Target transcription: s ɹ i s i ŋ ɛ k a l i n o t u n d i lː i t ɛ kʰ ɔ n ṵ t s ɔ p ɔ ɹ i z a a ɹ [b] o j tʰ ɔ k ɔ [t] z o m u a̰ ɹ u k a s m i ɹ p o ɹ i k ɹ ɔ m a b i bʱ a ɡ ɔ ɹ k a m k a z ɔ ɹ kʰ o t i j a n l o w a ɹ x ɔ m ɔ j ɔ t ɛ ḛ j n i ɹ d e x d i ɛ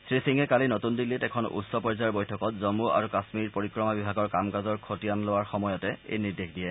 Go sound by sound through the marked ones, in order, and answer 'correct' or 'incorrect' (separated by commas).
correct, correct